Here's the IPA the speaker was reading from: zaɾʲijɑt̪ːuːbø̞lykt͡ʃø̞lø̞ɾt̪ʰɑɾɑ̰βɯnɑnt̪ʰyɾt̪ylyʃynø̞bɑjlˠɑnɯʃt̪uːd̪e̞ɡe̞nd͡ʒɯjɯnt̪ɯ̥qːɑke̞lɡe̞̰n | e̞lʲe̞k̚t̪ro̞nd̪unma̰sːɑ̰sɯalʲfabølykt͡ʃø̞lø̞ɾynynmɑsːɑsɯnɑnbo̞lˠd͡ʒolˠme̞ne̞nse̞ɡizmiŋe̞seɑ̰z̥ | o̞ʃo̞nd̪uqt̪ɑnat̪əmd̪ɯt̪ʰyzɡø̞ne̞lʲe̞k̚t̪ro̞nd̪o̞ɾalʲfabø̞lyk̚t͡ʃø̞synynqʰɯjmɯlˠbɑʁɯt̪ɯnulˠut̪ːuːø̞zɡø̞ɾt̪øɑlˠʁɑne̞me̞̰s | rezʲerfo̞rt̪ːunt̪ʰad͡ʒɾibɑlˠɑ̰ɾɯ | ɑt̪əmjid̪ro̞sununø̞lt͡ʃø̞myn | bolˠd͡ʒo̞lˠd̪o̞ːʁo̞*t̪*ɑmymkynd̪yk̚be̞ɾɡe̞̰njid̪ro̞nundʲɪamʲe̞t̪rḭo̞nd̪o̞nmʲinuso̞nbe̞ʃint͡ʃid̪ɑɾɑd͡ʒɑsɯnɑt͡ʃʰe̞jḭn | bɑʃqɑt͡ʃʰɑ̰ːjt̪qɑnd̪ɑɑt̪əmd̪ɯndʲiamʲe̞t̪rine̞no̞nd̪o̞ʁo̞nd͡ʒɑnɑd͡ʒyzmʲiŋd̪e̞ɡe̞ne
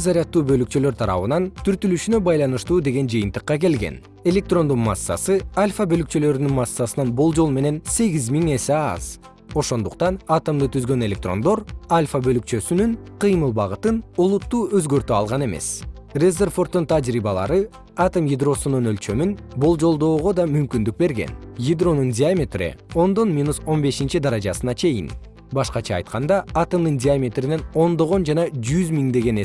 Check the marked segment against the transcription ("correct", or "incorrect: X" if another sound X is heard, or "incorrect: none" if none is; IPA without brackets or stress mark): incorrect: d̪